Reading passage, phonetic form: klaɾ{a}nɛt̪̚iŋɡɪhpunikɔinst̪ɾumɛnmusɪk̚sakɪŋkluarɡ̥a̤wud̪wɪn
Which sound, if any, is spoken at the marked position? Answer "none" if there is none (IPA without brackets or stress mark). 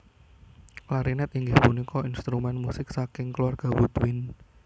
i